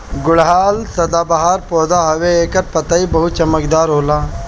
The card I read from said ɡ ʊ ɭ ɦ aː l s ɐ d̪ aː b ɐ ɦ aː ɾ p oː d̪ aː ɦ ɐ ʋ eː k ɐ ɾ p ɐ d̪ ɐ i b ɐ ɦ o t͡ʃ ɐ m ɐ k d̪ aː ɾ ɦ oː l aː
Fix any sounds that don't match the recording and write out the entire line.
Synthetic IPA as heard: ɡ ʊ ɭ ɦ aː l s ɐ d̪ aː b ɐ ɦ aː ɾ p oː d̪ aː ɦ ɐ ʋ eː k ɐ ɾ p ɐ t̪ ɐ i b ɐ ɦ u t͡ʃ ɐ m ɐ k d̪ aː ɾ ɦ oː l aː